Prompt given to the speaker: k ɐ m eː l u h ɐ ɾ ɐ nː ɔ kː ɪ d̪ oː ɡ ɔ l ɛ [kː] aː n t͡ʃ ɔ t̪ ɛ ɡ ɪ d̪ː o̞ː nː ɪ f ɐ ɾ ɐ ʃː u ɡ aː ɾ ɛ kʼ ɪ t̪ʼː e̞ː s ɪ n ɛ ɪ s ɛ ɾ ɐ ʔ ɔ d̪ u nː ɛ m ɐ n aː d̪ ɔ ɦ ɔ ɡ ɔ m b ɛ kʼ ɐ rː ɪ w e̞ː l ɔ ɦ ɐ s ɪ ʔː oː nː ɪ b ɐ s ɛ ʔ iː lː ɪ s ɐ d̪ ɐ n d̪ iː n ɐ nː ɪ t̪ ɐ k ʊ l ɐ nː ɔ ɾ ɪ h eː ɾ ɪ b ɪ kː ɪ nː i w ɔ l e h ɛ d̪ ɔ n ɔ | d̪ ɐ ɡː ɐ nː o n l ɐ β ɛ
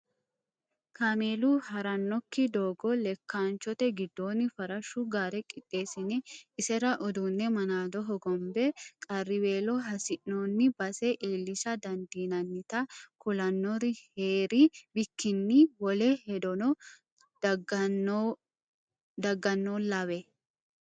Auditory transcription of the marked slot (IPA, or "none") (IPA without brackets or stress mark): kː